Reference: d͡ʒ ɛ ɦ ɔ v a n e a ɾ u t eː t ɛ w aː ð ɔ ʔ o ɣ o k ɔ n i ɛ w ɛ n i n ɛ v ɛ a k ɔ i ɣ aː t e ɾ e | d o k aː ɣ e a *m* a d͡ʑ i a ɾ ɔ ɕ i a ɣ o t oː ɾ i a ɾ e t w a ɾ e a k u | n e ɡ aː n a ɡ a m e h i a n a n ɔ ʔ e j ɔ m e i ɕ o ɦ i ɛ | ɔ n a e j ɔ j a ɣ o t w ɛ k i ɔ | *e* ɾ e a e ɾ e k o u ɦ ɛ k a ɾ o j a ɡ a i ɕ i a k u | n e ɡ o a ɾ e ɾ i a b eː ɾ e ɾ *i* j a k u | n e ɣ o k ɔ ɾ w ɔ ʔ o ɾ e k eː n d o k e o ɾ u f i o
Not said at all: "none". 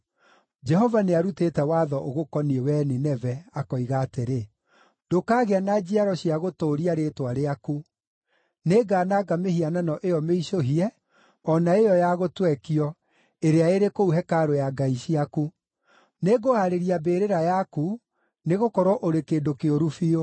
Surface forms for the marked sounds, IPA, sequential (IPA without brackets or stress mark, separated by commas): n, e, a